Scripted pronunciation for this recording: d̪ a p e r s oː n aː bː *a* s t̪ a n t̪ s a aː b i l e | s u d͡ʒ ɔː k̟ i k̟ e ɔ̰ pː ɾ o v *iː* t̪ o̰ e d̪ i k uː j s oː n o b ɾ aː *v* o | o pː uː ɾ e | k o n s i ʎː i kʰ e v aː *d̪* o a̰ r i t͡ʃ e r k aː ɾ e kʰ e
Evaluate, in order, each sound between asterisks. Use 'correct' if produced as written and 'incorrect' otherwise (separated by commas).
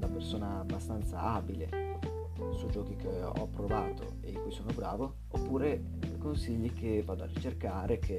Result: correct, incorrect, correct, correct